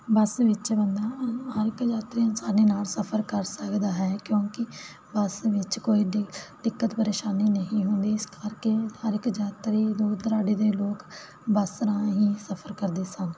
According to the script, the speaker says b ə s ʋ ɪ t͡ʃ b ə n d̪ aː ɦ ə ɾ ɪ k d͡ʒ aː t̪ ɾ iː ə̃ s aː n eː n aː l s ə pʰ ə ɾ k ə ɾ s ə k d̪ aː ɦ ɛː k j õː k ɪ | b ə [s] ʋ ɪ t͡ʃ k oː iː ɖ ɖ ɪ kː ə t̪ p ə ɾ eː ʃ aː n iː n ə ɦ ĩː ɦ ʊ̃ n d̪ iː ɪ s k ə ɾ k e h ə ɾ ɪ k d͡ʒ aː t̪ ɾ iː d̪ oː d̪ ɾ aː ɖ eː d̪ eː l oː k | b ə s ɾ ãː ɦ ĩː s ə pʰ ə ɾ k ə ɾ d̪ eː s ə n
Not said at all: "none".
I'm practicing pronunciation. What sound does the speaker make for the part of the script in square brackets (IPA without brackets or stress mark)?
s